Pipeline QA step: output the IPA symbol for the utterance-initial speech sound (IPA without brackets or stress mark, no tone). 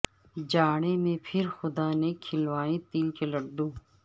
d͡ʒ